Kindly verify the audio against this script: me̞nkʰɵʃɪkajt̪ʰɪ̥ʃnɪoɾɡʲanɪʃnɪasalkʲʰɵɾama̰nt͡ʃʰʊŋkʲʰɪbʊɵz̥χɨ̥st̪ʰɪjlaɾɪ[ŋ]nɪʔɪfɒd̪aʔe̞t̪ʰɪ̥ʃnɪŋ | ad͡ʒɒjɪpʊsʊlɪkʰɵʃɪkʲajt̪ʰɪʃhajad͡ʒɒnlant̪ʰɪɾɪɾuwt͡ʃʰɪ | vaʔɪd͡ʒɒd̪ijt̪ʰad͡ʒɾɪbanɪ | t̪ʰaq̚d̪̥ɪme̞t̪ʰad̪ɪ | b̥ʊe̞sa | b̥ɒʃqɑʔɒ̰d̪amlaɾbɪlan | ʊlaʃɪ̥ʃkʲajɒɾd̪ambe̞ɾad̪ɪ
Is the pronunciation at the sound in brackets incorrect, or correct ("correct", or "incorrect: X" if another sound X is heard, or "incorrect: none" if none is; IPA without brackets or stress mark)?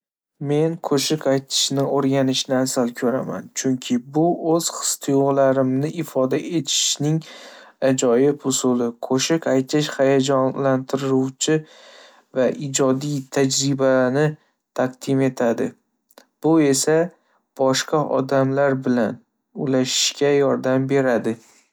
incorrect: m